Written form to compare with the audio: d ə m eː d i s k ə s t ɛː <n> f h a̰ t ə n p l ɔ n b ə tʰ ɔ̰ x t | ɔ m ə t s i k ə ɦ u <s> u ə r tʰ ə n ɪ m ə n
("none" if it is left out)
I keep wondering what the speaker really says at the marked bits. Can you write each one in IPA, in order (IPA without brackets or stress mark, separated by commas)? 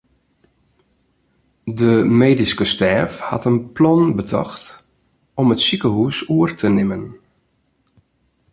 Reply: none, s